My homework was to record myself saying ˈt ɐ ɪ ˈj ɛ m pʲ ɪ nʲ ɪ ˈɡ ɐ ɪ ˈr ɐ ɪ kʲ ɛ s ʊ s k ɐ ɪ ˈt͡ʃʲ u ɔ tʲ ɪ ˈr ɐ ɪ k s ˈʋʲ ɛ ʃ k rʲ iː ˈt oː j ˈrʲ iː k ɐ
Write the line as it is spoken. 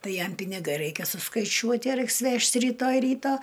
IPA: ˈt ɐ ɪ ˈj ɛ m pʲ ɪ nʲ ɪ ˈɡ ɐ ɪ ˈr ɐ ɪ kʲ ɛ s ʊ s k ɐ ɪ ˈt͡ʃʲ u ɔ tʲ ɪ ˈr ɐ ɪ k s ˈʋʲ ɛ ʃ t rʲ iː ˈt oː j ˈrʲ iː t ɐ